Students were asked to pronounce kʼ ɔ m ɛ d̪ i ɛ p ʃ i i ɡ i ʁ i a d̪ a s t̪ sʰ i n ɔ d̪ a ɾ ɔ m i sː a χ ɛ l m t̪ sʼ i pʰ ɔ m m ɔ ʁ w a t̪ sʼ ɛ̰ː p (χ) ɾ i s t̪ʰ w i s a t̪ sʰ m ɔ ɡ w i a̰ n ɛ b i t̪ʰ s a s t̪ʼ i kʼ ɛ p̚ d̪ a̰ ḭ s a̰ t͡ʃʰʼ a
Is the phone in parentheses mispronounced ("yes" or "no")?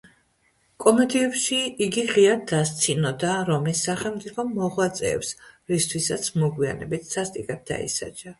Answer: yes